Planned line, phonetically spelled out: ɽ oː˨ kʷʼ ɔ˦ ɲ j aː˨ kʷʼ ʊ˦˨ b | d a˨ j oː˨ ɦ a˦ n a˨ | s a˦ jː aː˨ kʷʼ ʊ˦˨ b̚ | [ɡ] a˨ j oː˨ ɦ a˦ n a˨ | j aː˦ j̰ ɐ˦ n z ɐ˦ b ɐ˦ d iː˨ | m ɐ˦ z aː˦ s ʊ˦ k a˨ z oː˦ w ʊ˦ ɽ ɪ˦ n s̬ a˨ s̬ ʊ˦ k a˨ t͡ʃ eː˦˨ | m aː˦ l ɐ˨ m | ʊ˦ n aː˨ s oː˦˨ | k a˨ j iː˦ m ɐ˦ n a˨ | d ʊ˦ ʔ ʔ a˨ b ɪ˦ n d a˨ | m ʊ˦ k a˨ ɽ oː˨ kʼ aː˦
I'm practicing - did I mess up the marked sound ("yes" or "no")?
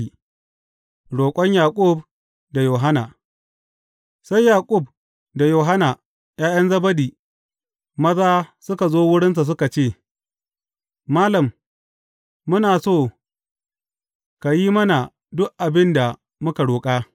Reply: yes